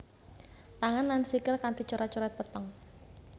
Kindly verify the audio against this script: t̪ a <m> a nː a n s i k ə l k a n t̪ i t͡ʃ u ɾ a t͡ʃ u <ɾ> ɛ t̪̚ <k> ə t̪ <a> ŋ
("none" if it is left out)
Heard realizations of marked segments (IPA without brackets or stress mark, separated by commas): ŋ, ɾ, p, ə